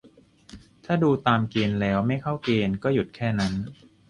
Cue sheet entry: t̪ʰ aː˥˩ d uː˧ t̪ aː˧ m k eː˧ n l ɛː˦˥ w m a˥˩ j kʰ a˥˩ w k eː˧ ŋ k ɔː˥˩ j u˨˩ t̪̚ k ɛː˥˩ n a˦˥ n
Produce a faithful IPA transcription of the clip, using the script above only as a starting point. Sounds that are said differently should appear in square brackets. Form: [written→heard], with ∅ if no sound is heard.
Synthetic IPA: t̪ʰ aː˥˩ d uː˧ t̪ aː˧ m k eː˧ n l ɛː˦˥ w m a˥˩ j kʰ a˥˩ w k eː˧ [ŋ→n] k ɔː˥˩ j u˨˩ t̪̚ [k→kʰ] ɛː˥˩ n a˦˥ n